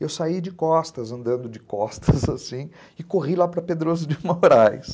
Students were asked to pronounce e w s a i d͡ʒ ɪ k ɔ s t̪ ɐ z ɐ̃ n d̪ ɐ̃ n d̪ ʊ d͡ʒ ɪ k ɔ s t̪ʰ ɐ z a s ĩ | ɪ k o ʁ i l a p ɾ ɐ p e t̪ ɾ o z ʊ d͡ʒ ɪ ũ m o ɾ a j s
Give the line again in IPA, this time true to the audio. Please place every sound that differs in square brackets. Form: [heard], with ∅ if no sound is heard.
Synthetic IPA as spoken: e w s a i d͡ʒ ɪ k ɔ s t̪ ɐ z ɐ̃ n d̪ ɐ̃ n d̪ ʊ d͡ʒ ɪ k ɔ s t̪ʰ ɐ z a s ĩ | ɪ k o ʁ i l a p ɾ ɐ p e [d̪] ɾ o z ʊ d͡ʒ ɪ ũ m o ɾ a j s